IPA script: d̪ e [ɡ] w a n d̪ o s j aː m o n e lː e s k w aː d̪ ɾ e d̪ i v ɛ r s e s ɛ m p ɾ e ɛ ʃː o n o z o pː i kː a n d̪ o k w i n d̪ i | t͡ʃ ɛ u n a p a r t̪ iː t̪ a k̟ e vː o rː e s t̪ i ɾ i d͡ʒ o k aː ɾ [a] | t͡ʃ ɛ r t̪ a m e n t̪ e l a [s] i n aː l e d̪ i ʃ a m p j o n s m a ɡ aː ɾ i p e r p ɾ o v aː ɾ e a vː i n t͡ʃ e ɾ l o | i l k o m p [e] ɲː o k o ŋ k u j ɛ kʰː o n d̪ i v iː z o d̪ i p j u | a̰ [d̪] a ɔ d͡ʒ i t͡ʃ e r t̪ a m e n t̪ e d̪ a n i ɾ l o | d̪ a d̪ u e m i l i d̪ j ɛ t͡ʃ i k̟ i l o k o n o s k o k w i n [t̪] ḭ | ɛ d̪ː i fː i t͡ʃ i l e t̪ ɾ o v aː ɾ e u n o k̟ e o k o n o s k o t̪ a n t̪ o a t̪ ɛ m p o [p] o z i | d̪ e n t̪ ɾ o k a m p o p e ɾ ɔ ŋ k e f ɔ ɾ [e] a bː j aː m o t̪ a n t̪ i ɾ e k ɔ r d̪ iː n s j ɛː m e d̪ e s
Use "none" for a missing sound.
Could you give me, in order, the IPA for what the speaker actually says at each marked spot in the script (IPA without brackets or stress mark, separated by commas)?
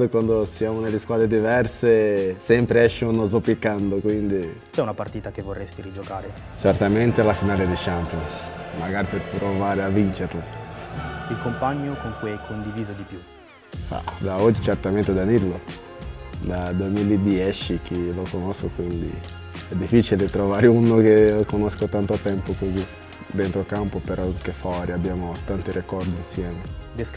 k, e, f, a, d̪, d̪, k, i